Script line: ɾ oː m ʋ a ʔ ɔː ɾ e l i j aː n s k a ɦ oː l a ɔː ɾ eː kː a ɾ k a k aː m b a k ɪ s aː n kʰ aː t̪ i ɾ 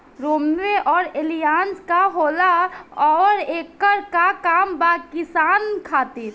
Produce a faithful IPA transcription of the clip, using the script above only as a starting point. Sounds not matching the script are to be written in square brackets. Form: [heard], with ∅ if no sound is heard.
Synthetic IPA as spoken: ɾ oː m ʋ [e] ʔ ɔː ɾ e l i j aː n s k a ɦ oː l a ɔː ɾ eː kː [ə] ɾ k a k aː m b a k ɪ s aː n kʰ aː t̪ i ɾ